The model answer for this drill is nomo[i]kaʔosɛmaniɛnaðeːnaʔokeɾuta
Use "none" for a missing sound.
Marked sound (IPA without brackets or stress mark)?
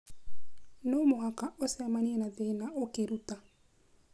a